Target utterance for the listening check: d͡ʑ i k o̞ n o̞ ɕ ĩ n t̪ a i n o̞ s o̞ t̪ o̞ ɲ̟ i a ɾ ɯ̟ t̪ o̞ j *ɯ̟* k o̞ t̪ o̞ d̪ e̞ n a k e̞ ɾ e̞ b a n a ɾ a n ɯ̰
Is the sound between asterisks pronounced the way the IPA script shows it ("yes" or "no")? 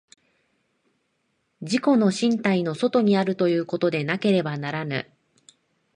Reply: no